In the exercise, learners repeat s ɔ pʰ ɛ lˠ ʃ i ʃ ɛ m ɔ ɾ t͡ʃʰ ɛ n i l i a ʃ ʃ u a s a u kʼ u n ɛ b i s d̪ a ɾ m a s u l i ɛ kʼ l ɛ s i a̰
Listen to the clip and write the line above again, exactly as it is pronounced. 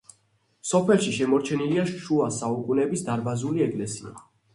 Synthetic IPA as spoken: s ɔ pʰ ɛ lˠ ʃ i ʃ ɛ m ɔ ɾ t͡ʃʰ ɛ n i l i a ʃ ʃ u a s a u kʼ u n ɛ b i s d̪ a ɾ b a z u l i ɛ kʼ l ɛ s i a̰